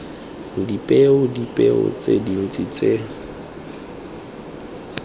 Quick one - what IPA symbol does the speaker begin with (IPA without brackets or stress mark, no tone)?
d